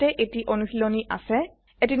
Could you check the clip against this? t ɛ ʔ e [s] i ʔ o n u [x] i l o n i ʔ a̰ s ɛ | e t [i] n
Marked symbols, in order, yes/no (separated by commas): no, no, yes